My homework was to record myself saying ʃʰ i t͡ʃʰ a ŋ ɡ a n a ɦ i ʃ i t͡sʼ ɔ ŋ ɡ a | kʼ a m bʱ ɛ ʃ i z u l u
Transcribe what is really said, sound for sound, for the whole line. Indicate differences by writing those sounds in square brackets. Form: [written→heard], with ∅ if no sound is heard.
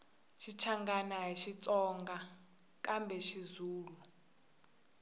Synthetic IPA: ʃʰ i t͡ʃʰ a ŋ ɡ a n a ɦ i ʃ i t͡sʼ ɔ ŋ ɡ a | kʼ a m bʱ ɛ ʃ i z [u→uː] l u